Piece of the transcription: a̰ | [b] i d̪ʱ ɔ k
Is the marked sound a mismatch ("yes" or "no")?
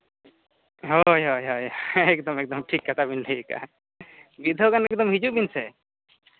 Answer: no